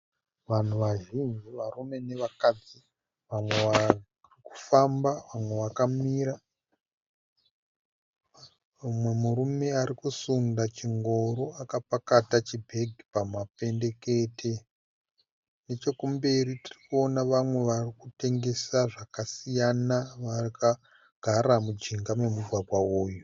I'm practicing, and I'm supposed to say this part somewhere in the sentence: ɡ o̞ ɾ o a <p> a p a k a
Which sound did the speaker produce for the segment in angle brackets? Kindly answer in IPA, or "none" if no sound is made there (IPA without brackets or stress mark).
k